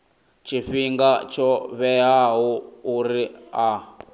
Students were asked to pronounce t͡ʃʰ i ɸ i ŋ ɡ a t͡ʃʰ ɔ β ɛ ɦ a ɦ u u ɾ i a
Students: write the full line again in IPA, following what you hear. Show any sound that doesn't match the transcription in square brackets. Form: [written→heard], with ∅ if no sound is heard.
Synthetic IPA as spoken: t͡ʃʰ i ɸ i ŋ ɡ a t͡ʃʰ ɔ β ɛ ɦ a ɦ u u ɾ i a